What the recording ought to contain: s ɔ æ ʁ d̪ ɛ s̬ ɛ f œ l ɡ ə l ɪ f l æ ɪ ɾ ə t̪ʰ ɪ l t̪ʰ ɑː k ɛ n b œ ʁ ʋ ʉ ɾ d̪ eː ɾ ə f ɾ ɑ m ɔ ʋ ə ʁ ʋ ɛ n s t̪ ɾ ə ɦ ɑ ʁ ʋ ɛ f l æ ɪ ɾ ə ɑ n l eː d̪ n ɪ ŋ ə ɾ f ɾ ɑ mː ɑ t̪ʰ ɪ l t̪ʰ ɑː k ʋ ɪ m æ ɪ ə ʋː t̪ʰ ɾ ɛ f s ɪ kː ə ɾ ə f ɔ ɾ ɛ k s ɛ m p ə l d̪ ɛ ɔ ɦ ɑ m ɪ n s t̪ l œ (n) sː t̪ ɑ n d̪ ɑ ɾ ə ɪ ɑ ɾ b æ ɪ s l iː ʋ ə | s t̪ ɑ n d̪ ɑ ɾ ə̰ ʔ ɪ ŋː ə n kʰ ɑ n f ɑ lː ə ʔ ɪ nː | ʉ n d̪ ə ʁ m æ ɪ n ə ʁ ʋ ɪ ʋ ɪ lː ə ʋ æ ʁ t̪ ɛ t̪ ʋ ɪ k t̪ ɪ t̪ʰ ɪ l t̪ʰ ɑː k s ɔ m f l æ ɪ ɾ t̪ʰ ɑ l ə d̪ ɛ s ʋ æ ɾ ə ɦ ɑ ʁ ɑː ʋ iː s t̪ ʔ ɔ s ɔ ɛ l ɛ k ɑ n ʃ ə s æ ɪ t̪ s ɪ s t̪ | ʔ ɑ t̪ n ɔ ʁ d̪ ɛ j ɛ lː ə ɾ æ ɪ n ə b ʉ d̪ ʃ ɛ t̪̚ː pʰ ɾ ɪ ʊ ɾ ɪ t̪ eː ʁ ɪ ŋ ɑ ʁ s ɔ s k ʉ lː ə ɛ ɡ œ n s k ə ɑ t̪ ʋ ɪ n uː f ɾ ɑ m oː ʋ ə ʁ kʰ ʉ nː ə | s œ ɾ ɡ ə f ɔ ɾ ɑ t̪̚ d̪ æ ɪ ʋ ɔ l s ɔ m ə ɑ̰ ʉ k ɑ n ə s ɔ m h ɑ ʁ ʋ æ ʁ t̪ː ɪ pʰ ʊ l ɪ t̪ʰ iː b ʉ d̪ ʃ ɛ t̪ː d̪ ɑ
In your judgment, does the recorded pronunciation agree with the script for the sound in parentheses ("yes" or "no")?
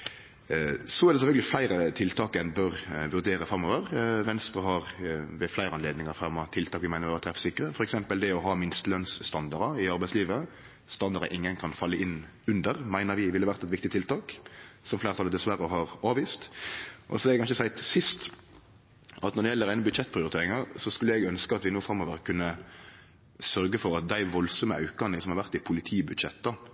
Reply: yes